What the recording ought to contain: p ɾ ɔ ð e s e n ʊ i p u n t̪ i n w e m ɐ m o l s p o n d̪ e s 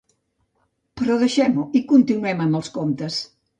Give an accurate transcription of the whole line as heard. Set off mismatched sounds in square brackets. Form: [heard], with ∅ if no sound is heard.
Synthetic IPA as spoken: p ɾ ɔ ð e [ʃ] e [m] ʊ i [k] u n t̪ i n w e m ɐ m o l s [k] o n [t̪] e s